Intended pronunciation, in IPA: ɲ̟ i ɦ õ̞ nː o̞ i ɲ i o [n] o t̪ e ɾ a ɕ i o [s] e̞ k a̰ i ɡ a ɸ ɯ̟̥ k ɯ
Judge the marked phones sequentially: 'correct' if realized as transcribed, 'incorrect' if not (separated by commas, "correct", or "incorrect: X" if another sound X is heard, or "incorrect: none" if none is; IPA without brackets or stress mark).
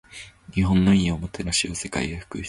incorrect: m, correct